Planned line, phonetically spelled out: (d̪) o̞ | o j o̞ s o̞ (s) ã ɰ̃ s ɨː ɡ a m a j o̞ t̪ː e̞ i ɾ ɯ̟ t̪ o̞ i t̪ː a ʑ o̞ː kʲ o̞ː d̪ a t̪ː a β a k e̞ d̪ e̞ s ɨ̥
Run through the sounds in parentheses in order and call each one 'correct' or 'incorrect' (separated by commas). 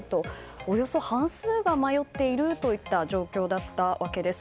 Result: incorrect, incorrect